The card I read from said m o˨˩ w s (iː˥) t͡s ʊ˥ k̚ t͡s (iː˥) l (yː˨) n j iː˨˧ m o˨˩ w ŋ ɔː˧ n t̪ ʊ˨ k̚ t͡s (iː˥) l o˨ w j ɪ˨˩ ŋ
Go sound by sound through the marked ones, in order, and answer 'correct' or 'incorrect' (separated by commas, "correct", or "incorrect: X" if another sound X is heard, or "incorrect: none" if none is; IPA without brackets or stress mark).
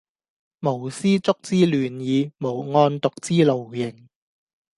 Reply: correct, correct, correct, correct